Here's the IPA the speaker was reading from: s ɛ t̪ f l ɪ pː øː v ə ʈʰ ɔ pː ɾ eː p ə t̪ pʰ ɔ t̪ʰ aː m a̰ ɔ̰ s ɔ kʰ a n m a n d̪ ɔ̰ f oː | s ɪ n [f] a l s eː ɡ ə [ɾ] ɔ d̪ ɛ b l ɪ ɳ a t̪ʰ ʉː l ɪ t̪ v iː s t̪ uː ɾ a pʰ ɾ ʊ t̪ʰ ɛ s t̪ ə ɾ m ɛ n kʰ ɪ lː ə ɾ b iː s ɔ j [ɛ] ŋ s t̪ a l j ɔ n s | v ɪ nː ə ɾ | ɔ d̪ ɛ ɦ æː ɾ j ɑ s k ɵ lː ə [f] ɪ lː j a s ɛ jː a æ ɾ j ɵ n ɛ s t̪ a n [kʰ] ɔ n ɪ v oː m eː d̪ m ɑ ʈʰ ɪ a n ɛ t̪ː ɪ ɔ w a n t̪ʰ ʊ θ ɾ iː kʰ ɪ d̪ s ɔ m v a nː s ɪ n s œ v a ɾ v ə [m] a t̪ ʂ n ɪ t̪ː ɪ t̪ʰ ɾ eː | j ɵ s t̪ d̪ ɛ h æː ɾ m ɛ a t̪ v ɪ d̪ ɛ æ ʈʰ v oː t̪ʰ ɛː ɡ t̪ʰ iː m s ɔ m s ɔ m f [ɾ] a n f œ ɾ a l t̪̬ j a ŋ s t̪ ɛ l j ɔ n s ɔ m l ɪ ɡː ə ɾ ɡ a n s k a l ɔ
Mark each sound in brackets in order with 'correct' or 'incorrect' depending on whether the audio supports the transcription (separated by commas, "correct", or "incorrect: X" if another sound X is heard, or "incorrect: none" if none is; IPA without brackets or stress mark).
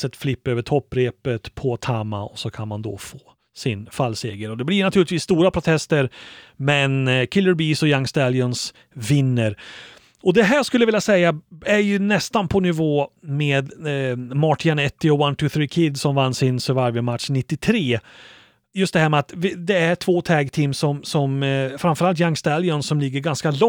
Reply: correct, correct, incorrect: a, incorrect: v, incorrect: pʰ, correct, correct